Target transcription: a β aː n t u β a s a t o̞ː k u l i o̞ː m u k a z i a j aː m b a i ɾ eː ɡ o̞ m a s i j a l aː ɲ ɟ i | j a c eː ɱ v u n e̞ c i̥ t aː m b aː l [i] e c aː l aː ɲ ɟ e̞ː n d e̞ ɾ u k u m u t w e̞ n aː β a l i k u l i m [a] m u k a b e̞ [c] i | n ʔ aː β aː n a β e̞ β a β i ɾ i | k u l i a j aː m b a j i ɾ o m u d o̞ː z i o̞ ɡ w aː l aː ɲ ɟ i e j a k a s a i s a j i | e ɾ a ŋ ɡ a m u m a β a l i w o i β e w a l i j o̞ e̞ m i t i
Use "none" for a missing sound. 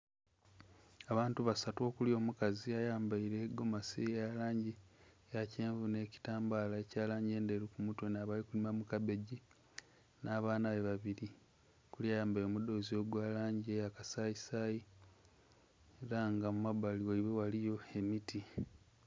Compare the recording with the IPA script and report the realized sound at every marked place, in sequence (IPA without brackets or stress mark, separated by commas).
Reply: a, a, ɟ